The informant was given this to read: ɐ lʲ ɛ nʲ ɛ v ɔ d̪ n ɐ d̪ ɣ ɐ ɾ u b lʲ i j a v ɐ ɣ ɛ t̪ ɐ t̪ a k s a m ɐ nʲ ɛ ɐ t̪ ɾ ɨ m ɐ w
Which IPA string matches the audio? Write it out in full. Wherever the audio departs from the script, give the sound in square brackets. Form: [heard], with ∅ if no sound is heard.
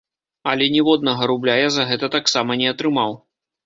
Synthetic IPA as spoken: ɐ lʲ ɛ nʲ ɛ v ɔ d̪ n ɐ [∅] ɣ ɐ ɾ u b lʲ [a] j a [z] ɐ ɣ ɛ t̪ ɐ t̪ a k s a m ɐ nʲ ɛ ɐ t̪ ɾ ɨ m [a] w